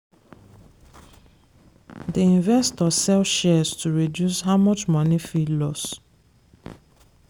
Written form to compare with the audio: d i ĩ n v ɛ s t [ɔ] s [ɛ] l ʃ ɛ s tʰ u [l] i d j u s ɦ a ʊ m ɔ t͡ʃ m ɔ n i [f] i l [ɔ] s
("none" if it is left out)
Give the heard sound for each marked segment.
ɔ, ɛ, ɹ, f, ɔ

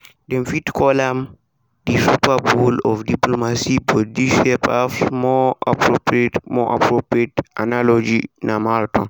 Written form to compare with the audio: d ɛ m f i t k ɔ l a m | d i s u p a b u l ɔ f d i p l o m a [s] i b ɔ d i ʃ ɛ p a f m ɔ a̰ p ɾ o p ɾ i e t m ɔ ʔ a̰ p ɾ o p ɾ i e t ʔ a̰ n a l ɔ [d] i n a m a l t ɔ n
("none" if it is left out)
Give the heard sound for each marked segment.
s, d͡ʒ

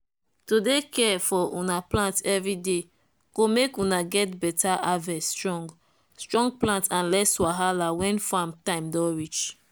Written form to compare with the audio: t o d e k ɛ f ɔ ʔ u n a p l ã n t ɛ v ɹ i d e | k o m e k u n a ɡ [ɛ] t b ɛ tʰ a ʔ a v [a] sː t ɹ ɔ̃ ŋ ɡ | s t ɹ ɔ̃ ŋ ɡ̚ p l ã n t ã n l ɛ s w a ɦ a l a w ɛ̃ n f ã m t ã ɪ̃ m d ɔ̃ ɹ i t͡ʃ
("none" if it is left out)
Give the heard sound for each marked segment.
ɛ, ɛ

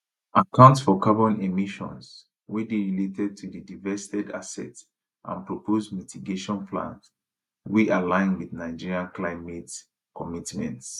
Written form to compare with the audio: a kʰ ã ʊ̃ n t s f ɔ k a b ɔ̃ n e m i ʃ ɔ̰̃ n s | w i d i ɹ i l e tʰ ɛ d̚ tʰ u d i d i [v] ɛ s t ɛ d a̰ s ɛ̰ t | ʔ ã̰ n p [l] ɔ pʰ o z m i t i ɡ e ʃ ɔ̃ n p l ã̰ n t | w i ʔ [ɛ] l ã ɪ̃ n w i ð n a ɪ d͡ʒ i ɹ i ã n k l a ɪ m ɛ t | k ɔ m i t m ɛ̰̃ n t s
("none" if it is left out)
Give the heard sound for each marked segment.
v, ɹ, a

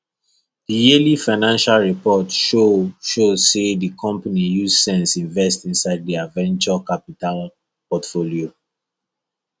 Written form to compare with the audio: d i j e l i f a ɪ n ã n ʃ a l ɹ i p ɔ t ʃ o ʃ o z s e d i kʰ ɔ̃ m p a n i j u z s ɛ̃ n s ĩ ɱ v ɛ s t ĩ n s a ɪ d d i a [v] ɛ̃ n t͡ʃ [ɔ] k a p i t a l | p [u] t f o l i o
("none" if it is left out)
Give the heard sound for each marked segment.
v, ɔ, ɔ

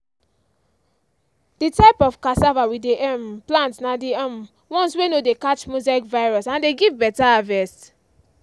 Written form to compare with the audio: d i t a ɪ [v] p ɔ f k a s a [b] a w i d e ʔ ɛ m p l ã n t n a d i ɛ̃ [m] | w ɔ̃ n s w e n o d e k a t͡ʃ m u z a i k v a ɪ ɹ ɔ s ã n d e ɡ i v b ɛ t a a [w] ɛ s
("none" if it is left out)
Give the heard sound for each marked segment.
none, v, m, v

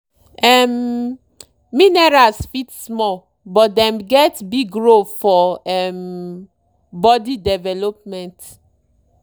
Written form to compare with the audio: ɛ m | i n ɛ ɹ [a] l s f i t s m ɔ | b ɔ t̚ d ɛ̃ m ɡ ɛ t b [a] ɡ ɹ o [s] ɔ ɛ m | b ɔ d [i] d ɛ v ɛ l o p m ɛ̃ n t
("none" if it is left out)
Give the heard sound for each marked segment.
a, i, f, i

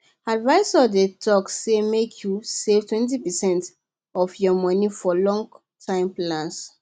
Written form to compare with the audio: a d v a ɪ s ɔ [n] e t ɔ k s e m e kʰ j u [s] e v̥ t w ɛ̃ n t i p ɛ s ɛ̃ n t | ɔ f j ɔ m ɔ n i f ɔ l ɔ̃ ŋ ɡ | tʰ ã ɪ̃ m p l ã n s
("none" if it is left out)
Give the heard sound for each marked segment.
d, s

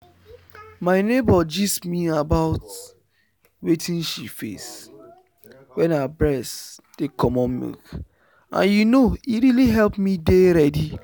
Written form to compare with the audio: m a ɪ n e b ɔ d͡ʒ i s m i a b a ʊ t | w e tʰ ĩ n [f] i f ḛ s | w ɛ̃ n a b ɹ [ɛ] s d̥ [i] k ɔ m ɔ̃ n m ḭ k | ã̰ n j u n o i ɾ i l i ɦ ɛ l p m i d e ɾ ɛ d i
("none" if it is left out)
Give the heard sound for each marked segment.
ʃ, ɛ, e

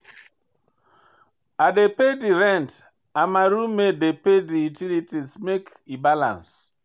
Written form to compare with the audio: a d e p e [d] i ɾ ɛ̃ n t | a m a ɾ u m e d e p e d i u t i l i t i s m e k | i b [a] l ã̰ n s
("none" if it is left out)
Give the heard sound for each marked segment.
d, a

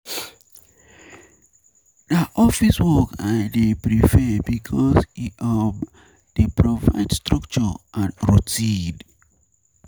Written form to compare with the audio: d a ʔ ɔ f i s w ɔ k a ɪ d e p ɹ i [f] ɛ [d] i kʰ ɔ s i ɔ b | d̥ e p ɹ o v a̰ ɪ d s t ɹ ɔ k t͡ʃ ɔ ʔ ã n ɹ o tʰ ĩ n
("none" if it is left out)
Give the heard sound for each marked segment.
f, b

